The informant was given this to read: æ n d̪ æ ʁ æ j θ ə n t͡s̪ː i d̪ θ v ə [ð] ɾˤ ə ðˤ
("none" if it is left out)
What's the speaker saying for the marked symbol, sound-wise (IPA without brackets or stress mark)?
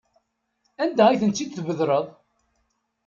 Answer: ð